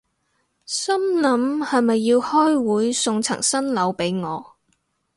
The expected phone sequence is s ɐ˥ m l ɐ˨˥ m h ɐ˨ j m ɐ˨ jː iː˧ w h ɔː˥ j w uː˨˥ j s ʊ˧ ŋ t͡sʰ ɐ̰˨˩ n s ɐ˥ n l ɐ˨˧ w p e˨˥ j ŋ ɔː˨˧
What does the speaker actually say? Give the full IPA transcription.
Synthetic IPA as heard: s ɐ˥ m l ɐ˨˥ m h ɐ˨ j m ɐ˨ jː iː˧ w h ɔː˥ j w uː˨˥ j s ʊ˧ ŋ t͡sʰ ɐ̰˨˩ ŋ s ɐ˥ n l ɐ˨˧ w p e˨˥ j ŋ ɔː˨˧